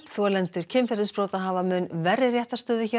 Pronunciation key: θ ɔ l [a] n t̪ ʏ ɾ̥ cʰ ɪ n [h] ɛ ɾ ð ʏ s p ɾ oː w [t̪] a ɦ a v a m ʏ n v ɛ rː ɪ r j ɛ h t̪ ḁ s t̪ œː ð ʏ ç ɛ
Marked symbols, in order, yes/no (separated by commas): no, no, yes